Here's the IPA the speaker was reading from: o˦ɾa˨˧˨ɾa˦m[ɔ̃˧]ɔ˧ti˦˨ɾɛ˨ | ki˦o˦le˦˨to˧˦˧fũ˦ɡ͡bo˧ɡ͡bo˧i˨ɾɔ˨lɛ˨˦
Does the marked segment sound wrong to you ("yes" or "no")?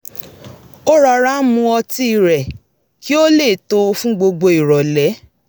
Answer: yes